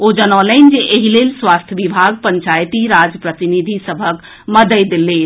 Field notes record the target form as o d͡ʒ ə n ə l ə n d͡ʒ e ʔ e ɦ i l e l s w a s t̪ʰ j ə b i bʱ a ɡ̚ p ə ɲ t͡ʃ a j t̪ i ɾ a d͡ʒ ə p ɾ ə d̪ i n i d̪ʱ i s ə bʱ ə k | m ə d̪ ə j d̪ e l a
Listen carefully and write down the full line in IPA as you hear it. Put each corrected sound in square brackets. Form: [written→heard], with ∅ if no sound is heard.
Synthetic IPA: o d͡ʒ ə n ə l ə n d͡ʒ e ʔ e ɦ i l e l s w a s t̪ʰ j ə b i bʱ a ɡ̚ p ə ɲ t͡ʃ a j t̪ i ɾ a d͡ʒ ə p ɾ ə [d̪→t̪] i n i d̪ʱ i s ə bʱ ə k | m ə d̪ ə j d̪ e l [a→e]